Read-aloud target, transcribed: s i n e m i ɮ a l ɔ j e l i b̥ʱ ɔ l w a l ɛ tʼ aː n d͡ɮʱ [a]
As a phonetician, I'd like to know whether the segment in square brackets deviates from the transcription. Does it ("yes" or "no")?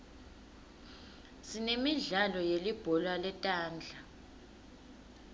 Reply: no